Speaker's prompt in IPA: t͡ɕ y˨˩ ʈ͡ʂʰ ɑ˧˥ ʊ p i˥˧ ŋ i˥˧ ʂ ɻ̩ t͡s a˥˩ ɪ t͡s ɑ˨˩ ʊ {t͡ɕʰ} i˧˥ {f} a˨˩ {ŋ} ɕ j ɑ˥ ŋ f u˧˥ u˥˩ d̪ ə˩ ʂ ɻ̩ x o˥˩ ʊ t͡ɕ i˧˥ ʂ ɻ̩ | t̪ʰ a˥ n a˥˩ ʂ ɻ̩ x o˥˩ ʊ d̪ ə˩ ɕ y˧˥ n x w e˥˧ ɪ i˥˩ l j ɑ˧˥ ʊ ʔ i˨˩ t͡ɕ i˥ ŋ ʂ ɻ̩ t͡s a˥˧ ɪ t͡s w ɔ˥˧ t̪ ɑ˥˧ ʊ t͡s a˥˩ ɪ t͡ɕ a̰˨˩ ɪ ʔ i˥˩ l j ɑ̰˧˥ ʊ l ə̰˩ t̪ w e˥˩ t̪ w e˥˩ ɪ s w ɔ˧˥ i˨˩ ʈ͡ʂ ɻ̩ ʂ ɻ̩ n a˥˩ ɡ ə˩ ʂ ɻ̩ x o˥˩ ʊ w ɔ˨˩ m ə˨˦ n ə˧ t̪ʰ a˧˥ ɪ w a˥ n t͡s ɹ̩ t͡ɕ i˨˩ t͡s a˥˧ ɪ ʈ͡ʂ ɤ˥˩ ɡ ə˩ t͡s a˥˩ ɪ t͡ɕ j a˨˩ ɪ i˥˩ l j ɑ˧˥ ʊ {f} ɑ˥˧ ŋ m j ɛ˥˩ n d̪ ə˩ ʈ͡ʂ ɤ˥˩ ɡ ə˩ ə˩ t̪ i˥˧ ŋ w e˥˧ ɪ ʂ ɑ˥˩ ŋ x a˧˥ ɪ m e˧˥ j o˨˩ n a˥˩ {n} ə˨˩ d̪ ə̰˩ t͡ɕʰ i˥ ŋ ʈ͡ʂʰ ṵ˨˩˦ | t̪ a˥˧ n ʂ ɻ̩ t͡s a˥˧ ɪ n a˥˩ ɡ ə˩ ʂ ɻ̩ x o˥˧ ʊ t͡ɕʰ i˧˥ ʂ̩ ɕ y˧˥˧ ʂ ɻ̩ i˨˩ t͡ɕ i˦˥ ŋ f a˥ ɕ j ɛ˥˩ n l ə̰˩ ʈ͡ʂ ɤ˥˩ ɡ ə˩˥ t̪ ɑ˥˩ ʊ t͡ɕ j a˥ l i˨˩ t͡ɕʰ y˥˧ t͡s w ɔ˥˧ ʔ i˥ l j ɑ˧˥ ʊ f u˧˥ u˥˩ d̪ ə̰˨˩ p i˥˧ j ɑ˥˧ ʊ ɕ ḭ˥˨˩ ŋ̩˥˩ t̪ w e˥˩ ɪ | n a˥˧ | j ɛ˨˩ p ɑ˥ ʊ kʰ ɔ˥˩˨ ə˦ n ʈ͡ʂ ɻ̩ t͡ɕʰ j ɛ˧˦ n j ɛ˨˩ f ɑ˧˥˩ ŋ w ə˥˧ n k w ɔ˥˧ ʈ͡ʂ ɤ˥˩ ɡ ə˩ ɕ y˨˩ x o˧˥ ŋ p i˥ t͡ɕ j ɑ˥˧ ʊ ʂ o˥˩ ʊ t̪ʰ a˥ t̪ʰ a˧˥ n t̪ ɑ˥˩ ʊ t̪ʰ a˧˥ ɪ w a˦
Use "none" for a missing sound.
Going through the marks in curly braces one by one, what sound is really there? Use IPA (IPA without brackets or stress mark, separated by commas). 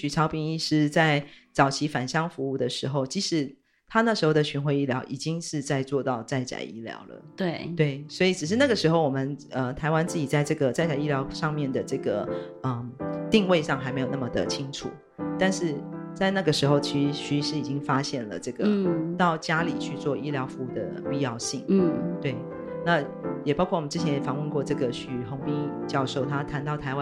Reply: t͡ɕʰ, f, n, ʂ, m